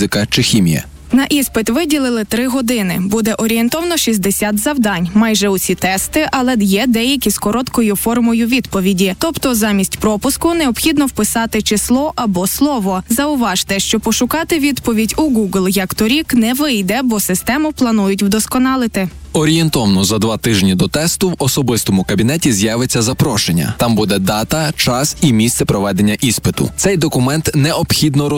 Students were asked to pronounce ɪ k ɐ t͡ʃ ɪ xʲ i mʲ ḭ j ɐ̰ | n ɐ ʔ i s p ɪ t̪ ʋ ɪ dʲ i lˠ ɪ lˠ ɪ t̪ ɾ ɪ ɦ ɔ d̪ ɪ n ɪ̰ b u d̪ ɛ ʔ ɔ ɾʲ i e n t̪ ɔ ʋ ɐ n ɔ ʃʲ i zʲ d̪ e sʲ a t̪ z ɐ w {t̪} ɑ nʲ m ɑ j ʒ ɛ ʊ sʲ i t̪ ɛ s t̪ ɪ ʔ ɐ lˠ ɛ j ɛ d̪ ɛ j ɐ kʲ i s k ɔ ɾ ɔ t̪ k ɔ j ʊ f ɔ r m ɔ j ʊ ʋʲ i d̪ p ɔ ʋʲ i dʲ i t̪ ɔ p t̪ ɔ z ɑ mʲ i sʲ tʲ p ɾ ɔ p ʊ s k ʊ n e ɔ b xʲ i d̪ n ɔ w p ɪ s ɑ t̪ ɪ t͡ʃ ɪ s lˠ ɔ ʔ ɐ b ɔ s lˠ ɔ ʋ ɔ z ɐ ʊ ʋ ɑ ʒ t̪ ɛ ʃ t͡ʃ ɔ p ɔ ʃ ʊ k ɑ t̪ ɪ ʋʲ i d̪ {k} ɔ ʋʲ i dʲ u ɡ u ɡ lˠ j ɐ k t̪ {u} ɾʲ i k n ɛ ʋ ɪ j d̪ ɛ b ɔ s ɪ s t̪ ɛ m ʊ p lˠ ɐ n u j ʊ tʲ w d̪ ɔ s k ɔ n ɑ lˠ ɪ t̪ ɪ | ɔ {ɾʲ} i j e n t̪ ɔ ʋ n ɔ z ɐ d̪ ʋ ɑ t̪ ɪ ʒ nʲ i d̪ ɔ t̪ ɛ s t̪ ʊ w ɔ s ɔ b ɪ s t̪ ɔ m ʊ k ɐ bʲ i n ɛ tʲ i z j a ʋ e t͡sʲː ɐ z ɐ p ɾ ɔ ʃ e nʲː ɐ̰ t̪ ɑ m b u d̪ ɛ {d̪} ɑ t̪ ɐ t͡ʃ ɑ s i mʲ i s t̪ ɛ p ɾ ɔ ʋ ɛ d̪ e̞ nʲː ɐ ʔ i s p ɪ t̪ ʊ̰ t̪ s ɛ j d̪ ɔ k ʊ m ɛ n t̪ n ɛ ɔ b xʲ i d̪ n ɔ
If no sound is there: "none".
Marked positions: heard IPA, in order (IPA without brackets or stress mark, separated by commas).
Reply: d̪, p, ɔ, ɾʲ, d̪